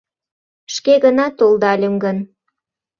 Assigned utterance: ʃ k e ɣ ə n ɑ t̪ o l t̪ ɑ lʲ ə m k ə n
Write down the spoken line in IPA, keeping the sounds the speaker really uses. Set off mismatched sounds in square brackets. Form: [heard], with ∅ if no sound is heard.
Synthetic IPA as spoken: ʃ k e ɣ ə n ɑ t̪ o l [d̪] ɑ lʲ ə m [ɡ] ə n